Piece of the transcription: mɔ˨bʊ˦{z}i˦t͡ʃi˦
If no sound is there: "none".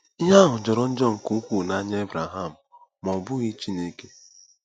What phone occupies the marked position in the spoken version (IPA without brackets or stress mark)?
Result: ɣ